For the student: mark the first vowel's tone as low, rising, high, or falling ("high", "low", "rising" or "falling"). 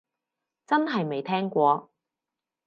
high